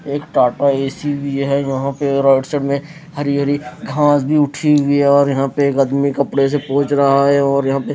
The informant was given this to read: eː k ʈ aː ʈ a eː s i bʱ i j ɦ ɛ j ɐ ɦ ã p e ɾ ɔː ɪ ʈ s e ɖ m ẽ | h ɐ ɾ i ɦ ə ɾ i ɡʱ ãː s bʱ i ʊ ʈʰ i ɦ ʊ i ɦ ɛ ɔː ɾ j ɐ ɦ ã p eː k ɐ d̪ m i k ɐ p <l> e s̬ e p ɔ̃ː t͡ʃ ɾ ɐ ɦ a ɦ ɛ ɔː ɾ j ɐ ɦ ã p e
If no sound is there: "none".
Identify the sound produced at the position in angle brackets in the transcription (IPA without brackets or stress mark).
ɽ